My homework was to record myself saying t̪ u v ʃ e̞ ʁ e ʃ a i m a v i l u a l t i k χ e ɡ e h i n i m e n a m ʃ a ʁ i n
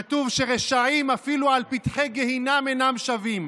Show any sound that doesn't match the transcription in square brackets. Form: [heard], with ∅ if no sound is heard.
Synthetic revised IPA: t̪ u v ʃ e̞ ʁ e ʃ a i m a [f] i l u a l [p] i [t] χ e ɡ e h i n [a] m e n a m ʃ a [v] i [m]

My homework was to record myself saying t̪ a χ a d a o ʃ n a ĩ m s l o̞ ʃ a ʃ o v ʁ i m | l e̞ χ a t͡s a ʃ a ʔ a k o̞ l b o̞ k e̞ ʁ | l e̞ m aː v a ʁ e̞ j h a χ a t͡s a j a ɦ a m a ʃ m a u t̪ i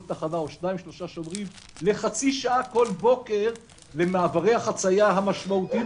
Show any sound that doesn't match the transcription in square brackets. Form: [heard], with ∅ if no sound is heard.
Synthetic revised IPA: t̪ a χ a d a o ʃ n a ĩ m [ʃ] l o̞ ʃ a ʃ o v ʁ i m | l e̞ χ a t͡s [i] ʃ a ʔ a k o̞ l b o̞ k e̞ ʁ | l e̞ m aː v a ʁ e̞ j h a χ a t͡s a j a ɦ a m a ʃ m a u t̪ i

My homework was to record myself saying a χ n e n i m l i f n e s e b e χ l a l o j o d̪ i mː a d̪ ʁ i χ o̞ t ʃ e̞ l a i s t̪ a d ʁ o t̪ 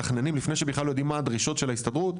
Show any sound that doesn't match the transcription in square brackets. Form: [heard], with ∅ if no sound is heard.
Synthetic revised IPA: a χ n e n i m l i f n e [ʃ] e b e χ l a l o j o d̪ i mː a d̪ ʁ i [ʃ] o̞ t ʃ e̞ l a i s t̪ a d ʁ [u] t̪

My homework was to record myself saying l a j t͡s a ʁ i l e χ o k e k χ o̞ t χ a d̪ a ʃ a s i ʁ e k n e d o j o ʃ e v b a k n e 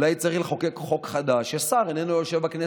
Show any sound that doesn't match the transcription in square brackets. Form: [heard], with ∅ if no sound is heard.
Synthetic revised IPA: l a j t͡s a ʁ i l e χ o k e k χ o̞ [k] χ a d̪ a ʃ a s [a] ʁ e [∅] n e [n] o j o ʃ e v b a k n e

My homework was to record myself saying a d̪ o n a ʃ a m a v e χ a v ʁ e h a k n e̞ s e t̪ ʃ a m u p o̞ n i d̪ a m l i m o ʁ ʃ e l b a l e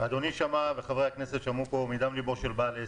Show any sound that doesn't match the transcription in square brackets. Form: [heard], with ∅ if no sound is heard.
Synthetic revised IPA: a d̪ o n [i] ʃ a m a v e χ a v ʁ e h a k n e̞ s e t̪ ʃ a m u p o̞ [m] i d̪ a m l i [b] o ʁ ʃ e l b a l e

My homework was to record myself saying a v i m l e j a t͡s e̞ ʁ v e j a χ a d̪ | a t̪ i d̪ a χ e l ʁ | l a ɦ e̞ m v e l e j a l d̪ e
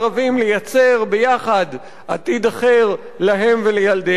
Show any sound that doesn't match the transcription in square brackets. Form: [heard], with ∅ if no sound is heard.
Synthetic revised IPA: a v i m l e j a t͡s e̞ ʁ [b] e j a χ a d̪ | a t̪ i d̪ a χ e [∅] ʁ | l a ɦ e̞ m v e l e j a l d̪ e

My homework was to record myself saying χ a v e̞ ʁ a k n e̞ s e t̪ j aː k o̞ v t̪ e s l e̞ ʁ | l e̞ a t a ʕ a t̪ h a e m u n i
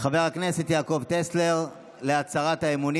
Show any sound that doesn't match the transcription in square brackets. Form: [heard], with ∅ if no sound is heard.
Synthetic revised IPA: χ a v e̞ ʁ a k n e̞ s e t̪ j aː k o̞ v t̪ e s l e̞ ʁ | l e̞ a [t͡s] a [ʁ] a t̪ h a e m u n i

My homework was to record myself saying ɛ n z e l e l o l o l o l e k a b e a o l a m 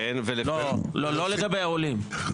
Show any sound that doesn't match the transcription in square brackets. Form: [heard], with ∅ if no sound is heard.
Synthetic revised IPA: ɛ n [v] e l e l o l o l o l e [ɡ] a b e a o l [i] m

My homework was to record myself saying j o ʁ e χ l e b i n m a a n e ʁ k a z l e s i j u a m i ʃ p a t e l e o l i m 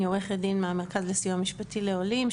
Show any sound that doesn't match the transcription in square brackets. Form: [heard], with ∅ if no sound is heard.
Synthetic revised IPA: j o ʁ e χ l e [d] i n m [e] a [m] e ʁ k a z l e s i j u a m i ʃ p a t [i] l e o l i m

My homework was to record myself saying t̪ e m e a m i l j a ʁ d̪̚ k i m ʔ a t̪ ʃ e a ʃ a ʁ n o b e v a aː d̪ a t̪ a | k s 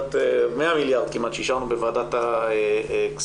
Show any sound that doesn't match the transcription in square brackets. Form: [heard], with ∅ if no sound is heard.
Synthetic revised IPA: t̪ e m e a m i l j a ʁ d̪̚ k i m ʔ a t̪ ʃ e [i] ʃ a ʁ n [u] b e v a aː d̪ a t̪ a | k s

